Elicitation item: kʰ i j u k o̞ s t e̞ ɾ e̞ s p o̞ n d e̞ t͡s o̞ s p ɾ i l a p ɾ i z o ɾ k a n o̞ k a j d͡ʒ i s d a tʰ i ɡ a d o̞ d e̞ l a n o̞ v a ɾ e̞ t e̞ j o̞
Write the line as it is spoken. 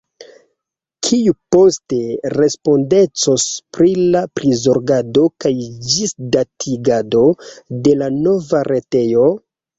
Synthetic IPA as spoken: kʰ i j u p o̞ s t e̞ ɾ e̞ s p o̞ n d e̞ t͡s o̞ s p ɾ i l a p ɾ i z o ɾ ɡ a d o̞ k a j d͡ʒ i s d a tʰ i ɡ a d o̞ d e̞ l a n o̞ v a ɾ e̞ t e̞ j o̞